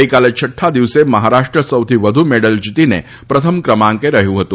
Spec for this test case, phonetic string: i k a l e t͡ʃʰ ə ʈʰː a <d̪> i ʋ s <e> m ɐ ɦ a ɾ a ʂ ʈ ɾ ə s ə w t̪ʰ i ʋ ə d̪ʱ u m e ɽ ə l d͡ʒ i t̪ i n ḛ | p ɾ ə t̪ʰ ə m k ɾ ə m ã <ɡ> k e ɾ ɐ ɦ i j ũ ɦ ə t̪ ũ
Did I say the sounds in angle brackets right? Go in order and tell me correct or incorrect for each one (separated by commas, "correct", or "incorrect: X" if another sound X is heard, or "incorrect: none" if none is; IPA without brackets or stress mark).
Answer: correct, correct, incorrect: ŋ